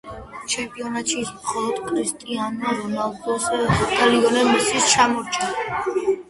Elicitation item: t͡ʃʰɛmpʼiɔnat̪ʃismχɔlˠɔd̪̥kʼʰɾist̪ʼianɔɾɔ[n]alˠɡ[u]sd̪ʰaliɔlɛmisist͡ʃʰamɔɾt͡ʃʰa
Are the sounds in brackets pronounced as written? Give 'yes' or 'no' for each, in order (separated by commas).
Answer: yes, no